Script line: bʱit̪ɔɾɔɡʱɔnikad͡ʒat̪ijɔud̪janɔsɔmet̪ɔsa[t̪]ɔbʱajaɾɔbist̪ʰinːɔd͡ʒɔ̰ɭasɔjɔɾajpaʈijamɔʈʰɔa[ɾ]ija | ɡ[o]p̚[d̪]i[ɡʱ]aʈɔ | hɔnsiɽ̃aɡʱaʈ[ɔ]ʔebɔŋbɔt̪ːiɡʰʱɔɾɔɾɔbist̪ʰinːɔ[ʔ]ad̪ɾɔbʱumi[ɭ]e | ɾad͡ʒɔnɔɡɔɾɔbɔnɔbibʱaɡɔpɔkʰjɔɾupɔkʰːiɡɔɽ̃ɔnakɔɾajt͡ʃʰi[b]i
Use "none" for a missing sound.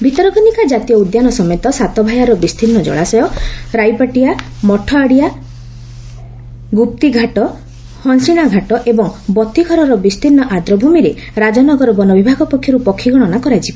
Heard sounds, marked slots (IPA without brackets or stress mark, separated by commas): t̪, ɽ, u, t̪, ɡʱ, ɔ, ʔ, ɾ, b